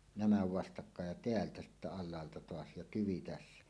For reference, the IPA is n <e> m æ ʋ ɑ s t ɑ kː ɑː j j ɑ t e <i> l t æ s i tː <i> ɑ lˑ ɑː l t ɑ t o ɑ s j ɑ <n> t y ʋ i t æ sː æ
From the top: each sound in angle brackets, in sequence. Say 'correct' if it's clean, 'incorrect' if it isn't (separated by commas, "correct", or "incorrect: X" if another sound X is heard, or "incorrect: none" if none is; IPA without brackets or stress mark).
incorrect: æ, incorrect: æ, incorrect: æ, incorrect: none